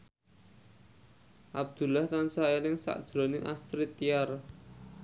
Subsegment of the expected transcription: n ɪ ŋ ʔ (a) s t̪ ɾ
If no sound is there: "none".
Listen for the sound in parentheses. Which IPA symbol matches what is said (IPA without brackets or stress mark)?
a